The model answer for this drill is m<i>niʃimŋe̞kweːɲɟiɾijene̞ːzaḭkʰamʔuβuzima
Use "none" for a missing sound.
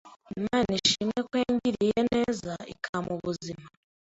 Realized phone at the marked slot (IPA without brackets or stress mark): a